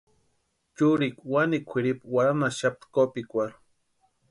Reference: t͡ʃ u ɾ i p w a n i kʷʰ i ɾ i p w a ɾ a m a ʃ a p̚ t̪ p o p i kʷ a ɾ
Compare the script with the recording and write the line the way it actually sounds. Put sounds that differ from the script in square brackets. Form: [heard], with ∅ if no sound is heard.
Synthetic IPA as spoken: t͡ʃ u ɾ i [k] w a n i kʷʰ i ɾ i p w a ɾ a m a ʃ a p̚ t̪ [k] o p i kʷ a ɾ